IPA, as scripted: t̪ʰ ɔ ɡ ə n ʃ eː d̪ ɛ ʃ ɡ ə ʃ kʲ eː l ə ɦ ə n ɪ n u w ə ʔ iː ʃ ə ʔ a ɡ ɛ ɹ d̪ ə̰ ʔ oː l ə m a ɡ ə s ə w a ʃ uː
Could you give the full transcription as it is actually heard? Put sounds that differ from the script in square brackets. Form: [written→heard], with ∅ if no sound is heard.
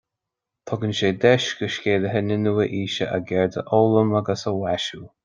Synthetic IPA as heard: t̪ʰ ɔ ɡ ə n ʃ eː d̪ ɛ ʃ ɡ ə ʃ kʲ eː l ə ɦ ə n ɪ n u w ə ʔ iː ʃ ə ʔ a ɡ ɛ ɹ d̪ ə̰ ʔ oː l ə m a ɡ ə s ə w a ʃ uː